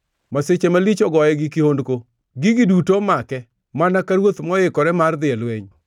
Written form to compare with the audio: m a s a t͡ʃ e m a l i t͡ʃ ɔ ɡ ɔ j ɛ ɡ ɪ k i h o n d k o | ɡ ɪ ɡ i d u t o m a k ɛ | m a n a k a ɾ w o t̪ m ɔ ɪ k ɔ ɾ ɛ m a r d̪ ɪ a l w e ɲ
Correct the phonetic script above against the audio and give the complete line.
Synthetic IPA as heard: m a s e t͡ʃ e m a l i t͡ʃ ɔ ɡ ɔ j ɛ ɡ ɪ k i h o n d k o | ɡ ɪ ɡ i d u t o m a k ɛ | m a n a k a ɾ w o t̪ m ɔ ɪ k ɔ ɾ ɛ m a r d̪ ɪ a l w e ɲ